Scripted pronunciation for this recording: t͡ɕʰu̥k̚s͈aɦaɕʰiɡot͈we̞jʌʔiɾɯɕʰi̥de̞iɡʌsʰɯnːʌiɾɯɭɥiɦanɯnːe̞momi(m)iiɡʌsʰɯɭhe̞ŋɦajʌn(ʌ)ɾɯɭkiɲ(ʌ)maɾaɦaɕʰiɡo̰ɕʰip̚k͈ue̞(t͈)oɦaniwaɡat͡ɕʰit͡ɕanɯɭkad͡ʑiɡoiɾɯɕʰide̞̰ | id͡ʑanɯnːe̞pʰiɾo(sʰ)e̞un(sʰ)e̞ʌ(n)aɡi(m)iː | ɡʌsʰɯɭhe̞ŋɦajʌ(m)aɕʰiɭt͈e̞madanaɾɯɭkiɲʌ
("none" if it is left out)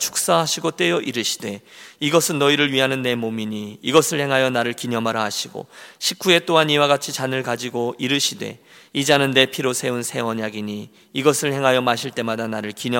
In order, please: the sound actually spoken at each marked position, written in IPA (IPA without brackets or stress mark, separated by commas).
ɲ, a, ʌ, t͈, sʰ, sʰ, ɲ, ɲ, m